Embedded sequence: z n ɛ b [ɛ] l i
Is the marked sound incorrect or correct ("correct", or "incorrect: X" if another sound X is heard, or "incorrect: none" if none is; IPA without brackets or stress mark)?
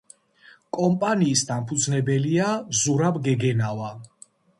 correct